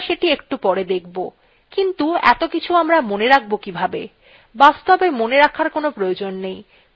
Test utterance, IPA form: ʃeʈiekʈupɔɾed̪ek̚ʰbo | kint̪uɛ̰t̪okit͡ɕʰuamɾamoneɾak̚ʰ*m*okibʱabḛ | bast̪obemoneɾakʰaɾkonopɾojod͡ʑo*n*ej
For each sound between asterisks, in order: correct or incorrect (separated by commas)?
incorrect, incorrect